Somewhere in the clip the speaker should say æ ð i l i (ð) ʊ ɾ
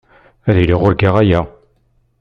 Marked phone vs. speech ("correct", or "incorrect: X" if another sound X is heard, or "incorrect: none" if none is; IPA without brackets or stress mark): incorrect: ʁ